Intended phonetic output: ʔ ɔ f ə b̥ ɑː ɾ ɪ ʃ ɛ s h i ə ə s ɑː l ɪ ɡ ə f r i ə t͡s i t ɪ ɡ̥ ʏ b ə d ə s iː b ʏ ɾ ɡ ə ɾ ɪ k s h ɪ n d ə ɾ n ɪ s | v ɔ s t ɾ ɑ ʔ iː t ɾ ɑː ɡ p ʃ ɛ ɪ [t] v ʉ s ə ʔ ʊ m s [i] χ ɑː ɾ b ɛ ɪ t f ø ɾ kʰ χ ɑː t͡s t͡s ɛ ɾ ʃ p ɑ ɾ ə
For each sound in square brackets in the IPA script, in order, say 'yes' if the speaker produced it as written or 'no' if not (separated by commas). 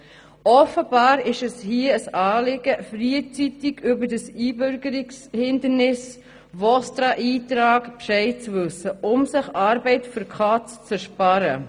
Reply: no, no